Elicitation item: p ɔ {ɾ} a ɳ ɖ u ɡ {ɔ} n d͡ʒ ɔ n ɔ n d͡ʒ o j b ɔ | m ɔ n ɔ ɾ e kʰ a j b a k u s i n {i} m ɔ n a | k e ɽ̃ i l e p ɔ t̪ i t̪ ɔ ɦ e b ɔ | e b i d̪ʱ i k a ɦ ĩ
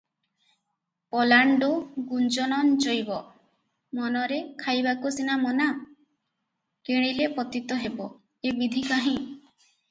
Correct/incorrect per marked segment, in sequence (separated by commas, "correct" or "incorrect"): incorrect, incorrect, incorrect